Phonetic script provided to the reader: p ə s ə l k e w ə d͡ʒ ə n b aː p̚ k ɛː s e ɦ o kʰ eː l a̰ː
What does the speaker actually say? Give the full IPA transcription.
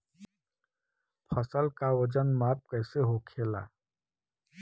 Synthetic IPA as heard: pʰ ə s ə l k a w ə d͡ʒ ə n m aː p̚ k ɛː s e ɦ o kʰ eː l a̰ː